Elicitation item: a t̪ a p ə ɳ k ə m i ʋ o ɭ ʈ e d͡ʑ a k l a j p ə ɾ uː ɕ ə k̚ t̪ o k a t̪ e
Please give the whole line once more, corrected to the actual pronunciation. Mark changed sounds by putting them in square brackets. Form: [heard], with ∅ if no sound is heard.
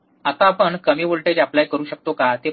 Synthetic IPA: a t̪ a p ə ɳ k ə m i ʋ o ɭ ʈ e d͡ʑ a [p] l a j [k] ə ɾ uː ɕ ə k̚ t̪ o k a t̪ e